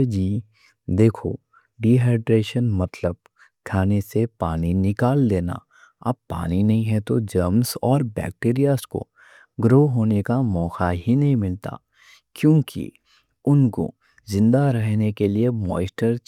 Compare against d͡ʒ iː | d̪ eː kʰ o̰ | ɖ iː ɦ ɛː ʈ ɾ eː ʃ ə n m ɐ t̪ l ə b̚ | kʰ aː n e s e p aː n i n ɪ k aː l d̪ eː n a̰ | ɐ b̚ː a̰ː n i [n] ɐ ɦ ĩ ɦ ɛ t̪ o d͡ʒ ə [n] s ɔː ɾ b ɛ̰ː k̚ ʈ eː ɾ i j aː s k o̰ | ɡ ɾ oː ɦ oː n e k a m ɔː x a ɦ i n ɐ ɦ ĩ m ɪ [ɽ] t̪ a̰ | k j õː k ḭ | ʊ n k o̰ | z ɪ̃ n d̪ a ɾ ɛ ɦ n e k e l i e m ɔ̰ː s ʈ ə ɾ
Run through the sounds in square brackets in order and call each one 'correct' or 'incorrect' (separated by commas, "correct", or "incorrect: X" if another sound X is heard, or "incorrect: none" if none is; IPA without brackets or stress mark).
correct, incorrect: m, incorrect: l